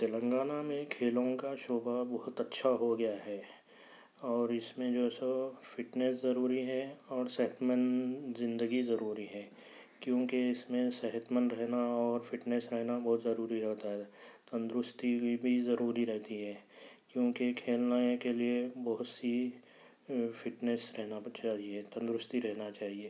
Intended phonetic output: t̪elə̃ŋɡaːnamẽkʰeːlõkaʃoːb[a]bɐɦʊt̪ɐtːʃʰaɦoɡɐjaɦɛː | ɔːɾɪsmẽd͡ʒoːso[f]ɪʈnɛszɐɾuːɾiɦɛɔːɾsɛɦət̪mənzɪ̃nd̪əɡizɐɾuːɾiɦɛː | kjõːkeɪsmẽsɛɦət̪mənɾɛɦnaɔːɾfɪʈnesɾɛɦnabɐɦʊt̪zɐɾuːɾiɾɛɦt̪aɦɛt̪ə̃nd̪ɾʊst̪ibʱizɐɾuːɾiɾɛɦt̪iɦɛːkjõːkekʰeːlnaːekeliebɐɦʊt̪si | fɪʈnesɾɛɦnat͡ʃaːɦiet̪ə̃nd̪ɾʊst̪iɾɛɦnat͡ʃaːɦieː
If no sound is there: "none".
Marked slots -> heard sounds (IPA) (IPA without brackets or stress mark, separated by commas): a, f